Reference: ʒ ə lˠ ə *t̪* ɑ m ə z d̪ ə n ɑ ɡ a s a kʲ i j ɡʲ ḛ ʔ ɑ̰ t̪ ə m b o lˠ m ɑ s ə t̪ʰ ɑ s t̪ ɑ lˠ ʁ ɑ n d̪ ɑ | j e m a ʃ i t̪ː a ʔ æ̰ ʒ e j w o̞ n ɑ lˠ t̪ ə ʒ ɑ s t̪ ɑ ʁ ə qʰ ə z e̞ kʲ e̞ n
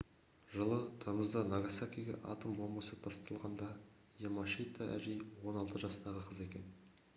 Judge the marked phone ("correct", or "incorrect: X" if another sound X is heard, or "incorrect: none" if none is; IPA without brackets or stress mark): incorrect: t̪ʰ